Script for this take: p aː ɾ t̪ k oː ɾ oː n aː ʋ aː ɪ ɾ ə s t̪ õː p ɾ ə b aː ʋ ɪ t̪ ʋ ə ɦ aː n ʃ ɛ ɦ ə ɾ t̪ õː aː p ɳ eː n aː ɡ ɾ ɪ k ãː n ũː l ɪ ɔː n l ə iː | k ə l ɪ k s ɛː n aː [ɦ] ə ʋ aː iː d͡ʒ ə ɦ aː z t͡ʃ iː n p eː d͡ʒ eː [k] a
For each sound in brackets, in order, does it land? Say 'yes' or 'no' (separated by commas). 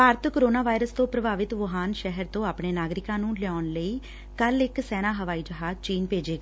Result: yes, no